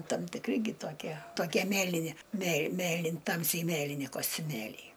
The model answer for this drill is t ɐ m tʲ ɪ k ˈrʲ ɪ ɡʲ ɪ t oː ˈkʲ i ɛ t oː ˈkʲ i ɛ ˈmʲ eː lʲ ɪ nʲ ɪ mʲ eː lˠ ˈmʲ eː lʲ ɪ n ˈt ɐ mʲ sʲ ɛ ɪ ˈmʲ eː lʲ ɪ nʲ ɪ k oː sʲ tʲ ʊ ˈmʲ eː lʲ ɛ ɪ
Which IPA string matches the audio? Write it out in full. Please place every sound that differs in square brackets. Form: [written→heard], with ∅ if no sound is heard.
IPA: t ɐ m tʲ ɪ k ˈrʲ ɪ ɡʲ ɪ t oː ˈkʲ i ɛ t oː ˈkʲ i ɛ ˈmʲ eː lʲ ɪ nʲ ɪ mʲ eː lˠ ˈmʲ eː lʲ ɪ n ˈt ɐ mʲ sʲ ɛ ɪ ˈmʲ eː lʲ ɪ nʲ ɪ k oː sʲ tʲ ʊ ˈmʲ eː lʲ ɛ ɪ